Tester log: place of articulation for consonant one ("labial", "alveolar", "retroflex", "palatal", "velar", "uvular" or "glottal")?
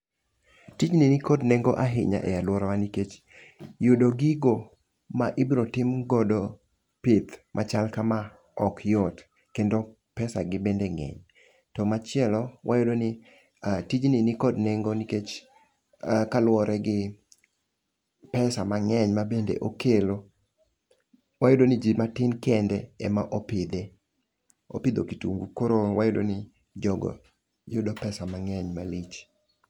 alveolar